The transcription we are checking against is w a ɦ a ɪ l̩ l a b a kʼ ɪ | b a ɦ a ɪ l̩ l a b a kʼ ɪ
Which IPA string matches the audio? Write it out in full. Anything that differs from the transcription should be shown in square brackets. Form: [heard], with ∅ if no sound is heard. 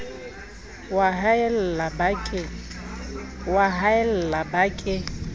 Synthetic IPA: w a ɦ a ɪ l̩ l a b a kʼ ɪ | [w] a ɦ a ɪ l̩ l a b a kʼ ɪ